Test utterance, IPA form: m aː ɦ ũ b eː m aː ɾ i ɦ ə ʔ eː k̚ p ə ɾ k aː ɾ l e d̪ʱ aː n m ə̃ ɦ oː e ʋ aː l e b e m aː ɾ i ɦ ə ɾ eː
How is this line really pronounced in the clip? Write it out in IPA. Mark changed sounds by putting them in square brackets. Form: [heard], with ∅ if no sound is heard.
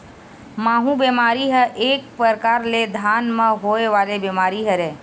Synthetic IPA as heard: m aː ɦ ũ b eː m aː ɾ i ɦ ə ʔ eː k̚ p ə ɾ k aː ɾ l e d̪ʱ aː n m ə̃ ɦ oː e ʋ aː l e b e m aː ɾ i ɦ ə ɾ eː